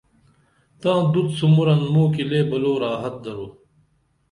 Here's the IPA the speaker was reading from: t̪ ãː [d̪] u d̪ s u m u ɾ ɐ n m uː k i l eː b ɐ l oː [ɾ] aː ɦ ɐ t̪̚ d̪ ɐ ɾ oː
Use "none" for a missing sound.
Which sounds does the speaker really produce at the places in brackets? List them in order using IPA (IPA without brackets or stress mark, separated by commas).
d̪, ɾ